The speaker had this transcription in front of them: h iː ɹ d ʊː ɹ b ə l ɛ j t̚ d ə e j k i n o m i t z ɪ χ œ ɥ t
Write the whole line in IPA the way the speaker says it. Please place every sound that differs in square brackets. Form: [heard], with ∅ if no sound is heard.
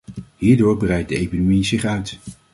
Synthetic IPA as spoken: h iː ɹ d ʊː ɹ b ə [r] ɛ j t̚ d ə e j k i n o m i [∅] z ɪ χ œ ɥ t